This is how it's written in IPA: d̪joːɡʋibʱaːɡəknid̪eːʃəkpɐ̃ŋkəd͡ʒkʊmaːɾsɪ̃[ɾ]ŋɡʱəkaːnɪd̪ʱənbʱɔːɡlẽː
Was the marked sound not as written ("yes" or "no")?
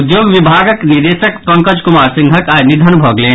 yes